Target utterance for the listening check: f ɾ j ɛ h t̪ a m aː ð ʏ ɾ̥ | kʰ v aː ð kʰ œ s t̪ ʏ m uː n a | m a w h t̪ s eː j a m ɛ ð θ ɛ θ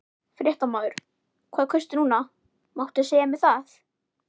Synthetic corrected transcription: f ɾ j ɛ h t̪ a m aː ð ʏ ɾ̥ | kʰ v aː ð kʰ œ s t̪ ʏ n uː n a | m a w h t̪ s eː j a m ɛ ð θ a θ